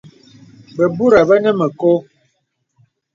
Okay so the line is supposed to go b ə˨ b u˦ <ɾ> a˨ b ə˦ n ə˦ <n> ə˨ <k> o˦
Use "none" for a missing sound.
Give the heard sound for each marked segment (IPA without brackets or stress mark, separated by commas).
ɾ, m, k